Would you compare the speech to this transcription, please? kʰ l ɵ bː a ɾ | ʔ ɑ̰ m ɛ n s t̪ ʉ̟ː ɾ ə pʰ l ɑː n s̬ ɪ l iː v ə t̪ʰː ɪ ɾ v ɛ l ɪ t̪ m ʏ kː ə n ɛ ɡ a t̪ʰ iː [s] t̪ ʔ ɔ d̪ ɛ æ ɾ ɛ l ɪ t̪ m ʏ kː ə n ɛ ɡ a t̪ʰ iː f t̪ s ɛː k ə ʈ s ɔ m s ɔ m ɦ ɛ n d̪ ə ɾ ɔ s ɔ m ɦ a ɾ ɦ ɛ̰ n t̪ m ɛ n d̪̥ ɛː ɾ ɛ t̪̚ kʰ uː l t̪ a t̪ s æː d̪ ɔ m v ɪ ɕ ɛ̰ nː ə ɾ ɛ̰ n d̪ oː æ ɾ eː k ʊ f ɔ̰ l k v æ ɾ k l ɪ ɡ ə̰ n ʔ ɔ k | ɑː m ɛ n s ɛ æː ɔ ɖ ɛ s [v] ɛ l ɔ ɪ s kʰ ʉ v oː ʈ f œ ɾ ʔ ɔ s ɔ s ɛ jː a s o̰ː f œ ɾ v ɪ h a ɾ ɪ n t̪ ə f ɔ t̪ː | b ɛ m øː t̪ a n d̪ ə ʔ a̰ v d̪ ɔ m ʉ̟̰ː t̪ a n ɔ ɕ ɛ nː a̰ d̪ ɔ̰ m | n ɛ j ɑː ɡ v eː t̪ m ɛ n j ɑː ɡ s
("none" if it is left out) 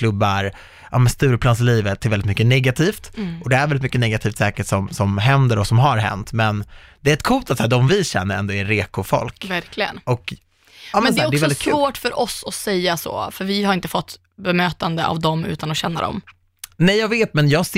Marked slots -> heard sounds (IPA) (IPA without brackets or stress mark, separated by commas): f, v